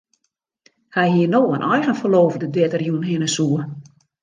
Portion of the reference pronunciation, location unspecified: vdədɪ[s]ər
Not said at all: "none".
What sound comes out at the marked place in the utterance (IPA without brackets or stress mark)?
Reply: t